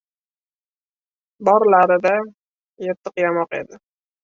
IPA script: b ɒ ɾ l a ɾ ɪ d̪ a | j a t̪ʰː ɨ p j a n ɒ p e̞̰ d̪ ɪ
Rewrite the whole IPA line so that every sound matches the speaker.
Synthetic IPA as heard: b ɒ ɾ l a ɾ ɪ d̪ a | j e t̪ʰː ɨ q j a m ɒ q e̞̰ d̪ ɪ